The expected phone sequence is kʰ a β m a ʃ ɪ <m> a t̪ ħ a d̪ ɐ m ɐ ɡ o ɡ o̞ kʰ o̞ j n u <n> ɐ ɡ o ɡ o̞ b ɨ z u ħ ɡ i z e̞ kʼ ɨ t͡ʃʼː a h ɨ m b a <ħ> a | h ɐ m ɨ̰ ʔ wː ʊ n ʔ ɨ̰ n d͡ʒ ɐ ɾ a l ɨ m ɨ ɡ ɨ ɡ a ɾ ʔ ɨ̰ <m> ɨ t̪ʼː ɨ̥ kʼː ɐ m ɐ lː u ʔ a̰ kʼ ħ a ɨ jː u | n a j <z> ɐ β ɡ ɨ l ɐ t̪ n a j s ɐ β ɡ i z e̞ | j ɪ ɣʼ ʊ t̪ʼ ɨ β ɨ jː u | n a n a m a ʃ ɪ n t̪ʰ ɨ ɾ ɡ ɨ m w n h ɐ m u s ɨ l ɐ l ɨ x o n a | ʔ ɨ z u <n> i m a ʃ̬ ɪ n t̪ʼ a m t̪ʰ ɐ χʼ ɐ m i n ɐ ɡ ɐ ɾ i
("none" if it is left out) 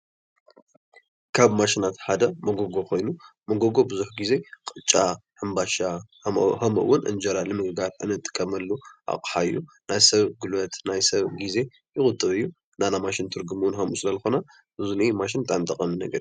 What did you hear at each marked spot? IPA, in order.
n, m, ʃ, n, s, n

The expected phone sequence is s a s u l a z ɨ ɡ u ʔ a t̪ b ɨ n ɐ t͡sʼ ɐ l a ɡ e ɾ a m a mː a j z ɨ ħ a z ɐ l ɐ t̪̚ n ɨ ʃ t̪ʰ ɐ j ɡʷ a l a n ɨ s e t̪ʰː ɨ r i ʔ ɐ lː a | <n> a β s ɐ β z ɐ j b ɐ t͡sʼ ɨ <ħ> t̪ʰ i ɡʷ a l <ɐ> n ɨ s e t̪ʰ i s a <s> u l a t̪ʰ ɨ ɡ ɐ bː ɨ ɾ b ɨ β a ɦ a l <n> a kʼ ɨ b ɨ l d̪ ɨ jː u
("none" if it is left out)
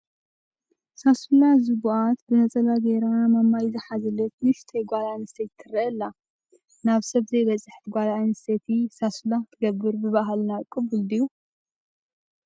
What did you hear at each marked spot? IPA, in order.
n, ħ, a, s, n

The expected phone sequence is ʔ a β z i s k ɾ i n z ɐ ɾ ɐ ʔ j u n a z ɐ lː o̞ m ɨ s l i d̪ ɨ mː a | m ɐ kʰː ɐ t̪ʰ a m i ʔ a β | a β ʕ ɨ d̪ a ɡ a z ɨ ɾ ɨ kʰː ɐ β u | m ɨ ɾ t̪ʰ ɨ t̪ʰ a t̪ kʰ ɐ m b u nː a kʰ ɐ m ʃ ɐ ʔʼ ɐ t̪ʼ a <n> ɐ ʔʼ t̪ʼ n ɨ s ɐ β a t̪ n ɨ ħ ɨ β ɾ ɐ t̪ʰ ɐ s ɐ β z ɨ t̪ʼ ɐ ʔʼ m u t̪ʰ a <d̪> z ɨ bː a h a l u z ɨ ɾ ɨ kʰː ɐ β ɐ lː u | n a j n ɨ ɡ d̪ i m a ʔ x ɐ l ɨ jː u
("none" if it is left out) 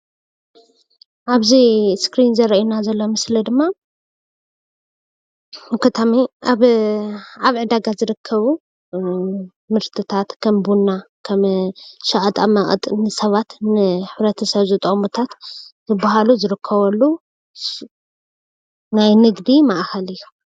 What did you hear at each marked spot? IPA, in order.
m, t̪

